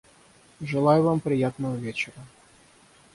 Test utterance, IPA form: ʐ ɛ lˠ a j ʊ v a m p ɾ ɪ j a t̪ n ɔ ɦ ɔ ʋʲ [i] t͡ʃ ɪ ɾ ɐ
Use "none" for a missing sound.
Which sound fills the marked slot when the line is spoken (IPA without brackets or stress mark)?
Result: ɛ